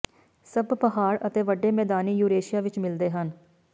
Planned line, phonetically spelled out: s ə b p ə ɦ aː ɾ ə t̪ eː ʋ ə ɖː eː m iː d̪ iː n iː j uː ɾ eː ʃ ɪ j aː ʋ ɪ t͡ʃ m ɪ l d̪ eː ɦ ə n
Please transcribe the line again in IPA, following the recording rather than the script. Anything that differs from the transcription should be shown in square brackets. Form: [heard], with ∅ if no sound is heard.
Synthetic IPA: s ə b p ə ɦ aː ɾ ə t̪ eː ʋ ə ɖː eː m [ɛː] d̪ [aː] n iː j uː ɾ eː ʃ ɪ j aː ʋ ɪ t͡ʃ m ɪ l d̪ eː ɦ ə n